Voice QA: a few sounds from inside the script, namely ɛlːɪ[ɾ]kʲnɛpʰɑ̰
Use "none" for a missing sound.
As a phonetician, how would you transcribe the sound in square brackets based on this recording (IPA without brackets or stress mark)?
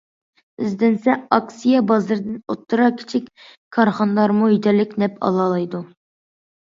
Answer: none